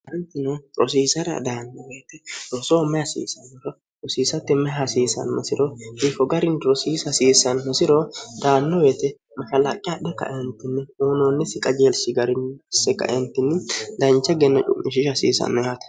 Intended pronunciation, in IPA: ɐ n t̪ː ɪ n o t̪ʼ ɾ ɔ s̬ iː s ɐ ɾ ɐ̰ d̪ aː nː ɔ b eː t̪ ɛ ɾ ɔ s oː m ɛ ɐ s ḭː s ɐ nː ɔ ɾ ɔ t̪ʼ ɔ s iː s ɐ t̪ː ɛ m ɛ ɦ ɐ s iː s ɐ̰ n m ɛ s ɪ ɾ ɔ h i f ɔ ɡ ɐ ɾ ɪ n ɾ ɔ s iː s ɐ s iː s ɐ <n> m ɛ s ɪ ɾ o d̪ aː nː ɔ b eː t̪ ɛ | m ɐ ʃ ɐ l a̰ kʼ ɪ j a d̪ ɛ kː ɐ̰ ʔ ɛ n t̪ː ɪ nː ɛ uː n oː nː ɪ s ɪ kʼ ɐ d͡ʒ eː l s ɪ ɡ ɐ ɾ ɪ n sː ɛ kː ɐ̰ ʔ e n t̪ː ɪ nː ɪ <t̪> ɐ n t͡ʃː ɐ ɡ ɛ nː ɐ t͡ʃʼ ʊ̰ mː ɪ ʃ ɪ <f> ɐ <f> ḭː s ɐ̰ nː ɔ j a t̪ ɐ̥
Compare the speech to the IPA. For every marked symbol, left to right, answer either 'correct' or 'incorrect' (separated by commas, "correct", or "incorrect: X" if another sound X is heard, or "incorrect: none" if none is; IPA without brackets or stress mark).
correct, incorrect: d̪, incorrect: ʃ, incorrect: s